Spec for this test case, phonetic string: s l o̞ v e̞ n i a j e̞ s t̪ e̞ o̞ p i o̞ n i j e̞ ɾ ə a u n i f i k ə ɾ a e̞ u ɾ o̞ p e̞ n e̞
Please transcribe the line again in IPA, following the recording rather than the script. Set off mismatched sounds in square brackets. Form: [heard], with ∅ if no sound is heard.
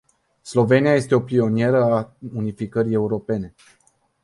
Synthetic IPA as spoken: s l o̞ v e̞ n i a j e̞ s t̪ e̞ o̞ p i o̞ n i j e̞ ɾ ə a u n i f i k ə ɾ [i] e̞ u ɾ o̞ p e̞ n e̞